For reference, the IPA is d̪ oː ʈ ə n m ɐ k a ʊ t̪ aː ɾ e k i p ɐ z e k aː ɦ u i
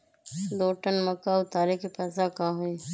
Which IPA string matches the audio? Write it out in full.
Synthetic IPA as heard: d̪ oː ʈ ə n m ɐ k a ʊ t̪ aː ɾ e k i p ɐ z a k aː ɦ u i